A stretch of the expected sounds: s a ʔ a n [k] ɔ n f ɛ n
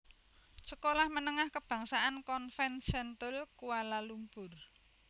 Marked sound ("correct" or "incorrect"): correct